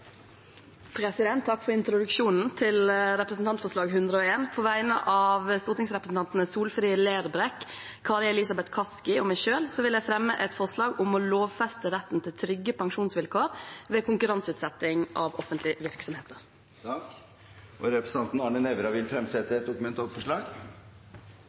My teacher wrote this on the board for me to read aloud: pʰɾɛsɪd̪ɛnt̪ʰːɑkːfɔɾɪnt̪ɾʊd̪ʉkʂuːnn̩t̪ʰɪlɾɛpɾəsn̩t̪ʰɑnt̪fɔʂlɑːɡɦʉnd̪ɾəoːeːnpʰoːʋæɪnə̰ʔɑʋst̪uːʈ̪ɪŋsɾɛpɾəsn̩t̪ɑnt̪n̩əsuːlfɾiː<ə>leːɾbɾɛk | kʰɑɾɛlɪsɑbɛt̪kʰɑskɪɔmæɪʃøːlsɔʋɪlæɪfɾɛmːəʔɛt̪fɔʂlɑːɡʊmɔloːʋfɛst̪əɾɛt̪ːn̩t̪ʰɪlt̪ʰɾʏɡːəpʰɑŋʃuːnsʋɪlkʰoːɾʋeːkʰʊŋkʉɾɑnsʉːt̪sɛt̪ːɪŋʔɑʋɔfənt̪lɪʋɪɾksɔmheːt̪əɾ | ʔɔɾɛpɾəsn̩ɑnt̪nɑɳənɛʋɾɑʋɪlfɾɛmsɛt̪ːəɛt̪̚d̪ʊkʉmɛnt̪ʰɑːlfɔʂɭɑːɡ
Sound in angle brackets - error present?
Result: no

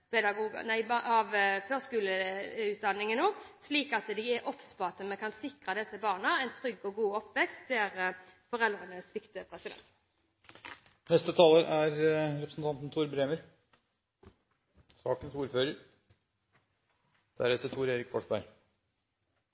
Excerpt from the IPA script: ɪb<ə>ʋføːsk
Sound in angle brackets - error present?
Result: yes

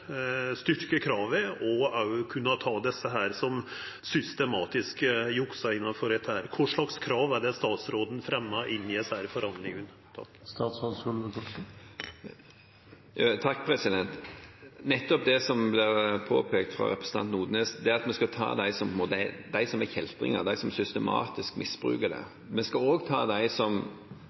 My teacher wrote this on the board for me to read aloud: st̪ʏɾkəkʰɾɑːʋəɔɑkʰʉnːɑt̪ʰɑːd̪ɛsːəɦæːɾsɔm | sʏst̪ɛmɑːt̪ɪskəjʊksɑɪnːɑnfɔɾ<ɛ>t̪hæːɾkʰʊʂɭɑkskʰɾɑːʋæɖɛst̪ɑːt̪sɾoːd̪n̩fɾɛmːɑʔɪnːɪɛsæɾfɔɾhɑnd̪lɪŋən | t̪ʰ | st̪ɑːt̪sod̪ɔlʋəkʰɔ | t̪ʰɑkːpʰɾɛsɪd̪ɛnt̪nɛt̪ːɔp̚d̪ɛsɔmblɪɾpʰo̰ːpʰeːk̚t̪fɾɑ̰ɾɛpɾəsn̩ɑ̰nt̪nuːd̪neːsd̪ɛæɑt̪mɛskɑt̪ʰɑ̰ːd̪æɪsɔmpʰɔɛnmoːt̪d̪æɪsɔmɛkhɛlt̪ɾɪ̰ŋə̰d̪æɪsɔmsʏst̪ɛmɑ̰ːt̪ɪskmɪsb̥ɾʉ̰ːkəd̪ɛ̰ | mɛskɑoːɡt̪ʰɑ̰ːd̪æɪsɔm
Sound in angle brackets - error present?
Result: no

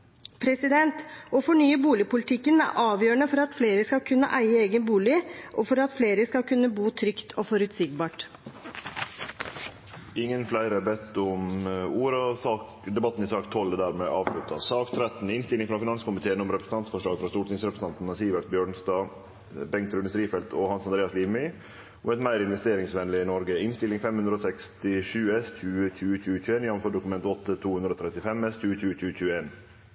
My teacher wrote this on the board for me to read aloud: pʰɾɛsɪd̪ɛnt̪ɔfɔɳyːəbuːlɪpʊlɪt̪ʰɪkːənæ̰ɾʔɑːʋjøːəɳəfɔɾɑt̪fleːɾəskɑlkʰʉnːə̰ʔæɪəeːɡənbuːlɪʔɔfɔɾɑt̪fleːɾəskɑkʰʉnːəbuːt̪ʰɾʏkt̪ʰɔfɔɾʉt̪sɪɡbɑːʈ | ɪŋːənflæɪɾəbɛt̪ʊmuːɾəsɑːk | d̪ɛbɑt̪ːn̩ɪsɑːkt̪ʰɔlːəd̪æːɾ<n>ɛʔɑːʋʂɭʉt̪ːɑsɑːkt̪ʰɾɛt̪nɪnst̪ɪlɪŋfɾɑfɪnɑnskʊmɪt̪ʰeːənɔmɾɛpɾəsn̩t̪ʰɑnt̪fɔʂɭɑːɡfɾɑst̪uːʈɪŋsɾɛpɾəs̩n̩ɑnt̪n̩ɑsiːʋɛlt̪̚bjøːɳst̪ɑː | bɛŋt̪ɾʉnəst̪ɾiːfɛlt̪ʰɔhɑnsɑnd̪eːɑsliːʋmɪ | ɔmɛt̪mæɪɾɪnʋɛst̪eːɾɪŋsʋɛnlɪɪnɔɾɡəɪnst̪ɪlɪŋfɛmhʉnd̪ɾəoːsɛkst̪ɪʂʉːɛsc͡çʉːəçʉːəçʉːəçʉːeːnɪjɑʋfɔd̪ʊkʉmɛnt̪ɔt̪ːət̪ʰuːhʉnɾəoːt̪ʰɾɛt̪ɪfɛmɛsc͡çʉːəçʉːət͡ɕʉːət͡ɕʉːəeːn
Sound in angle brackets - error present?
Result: yes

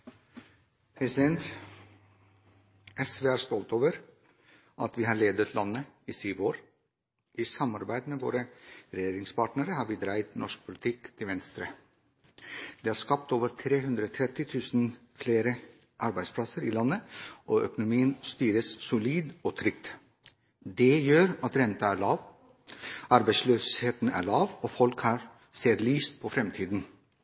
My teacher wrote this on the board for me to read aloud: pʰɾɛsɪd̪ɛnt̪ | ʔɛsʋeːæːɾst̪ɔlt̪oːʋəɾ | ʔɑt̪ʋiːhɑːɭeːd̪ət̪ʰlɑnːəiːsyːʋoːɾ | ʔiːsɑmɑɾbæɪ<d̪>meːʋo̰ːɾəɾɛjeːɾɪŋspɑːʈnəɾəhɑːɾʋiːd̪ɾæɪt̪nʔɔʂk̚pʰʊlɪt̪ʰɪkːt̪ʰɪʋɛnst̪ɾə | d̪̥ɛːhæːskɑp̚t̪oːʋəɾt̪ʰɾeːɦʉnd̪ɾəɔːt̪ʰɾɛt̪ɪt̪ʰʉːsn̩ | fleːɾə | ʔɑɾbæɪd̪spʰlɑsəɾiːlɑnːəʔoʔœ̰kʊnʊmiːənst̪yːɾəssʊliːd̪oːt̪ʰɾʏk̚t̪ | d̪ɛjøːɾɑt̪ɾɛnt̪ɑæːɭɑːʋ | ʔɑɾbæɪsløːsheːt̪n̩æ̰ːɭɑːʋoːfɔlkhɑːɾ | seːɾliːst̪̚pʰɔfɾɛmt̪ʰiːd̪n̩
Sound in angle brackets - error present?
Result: no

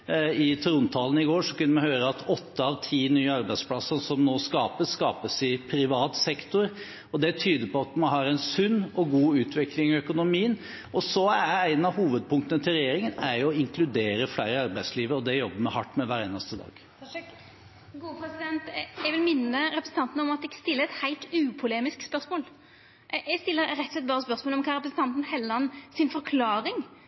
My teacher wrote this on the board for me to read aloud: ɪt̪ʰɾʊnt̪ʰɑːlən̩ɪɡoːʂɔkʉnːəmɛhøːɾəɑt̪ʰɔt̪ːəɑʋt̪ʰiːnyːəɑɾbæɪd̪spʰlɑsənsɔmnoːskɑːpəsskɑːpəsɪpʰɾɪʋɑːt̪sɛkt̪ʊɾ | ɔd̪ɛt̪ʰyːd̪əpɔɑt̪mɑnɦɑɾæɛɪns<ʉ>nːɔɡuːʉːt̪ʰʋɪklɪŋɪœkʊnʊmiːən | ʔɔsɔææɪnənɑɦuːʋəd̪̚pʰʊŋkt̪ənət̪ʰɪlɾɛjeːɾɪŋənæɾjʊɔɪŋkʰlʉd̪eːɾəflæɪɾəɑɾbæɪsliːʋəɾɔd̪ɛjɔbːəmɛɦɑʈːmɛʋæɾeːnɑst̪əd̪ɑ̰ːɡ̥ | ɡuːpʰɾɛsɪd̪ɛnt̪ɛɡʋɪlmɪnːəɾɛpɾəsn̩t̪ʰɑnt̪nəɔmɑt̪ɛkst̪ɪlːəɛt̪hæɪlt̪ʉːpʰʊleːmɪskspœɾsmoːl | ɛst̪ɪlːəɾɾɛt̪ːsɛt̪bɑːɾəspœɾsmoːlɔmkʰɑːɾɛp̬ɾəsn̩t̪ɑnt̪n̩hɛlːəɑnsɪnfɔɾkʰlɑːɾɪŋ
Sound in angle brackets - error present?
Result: no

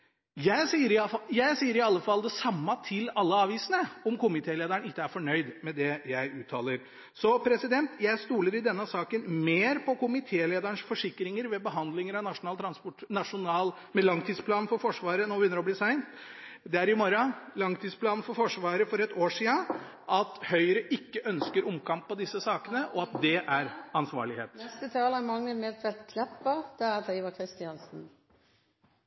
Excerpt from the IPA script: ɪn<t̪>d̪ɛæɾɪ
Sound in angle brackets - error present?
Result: no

